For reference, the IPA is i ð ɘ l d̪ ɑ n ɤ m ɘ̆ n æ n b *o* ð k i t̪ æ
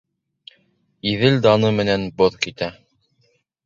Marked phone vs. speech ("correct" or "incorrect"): correct